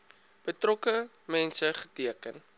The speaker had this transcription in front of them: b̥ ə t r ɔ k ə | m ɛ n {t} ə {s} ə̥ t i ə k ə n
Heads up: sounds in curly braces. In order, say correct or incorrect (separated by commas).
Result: incorrect, incorrect